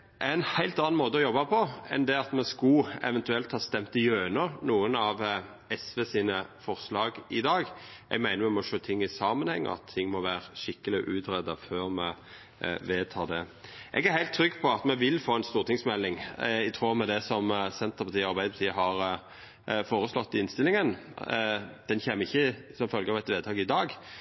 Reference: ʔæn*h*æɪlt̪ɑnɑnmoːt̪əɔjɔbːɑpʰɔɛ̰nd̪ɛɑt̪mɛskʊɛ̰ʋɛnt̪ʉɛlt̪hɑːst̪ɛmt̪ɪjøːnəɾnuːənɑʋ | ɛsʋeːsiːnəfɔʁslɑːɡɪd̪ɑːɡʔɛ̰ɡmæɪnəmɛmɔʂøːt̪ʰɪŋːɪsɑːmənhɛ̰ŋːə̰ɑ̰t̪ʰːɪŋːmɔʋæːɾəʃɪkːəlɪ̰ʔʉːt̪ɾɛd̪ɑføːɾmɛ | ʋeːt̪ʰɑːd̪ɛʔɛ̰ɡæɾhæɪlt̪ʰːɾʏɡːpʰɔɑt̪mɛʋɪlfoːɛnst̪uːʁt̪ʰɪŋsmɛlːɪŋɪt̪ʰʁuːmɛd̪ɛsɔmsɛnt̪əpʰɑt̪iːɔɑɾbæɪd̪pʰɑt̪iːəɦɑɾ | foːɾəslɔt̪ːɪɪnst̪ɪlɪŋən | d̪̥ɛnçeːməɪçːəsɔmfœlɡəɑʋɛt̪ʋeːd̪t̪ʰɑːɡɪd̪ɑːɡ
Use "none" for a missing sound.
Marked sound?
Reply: h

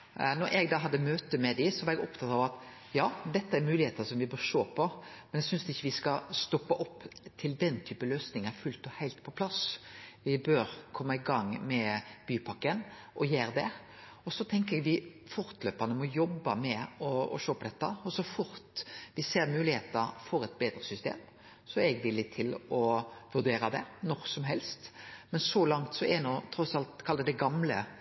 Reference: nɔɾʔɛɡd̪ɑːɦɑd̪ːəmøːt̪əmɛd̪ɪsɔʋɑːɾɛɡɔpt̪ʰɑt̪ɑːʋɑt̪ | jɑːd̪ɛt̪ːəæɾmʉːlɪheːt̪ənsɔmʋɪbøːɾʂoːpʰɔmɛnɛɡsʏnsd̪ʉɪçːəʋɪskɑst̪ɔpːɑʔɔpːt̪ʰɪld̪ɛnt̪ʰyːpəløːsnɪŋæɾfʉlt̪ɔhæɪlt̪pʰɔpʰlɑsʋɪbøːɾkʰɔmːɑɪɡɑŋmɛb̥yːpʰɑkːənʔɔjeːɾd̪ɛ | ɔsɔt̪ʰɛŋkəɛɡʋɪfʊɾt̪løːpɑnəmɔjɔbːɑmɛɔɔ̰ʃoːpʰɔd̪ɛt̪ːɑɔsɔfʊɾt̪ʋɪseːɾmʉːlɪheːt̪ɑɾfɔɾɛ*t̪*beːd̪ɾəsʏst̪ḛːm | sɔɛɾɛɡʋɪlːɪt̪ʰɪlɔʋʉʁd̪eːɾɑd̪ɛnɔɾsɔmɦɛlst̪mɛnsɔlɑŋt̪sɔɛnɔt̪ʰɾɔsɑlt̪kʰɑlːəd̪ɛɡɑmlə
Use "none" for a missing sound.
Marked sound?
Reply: t̪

